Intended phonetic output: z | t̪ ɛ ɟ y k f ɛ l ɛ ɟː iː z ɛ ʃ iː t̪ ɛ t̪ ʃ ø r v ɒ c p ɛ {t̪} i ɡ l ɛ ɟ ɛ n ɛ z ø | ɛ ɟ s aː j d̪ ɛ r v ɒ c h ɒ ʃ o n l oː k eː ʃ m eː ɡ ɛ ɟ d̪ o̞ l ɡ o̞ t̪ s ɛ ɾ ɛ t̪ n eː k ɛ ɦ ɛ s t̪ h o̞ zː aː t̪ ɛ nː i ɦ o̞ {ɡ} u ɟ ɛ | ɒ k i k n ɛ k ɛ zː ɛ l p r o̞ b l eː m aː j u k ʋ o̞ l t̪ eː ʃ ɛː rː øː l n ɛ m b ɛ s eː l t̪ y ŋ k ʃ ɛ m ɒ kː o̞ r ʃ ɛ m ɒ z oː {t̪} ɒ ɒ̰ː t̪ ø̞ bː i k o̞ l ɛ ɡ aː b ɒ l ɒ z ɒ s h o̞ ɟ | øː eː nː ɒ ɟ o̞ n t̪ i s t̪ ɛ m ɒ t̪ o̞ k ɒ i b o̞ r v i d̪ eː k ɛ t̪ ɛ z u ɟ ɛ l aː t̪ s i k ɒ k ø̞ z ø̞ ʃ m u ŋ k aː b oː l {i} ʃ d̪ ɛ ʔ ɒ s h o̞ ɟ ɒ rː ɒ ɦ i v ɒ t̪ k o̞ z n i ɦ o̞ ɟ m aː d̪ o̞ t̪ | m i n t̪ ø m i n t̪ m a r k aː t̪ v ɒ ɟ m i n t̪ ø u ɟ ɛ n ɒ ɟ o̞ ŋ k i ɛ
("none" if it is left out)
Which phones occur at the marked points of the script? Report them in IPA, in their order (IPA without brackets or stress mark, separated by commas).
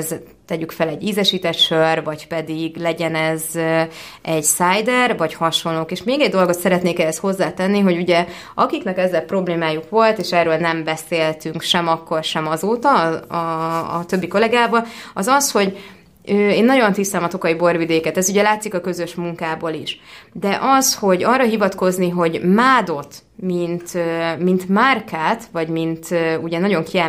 d̪, ɟ, t̪, i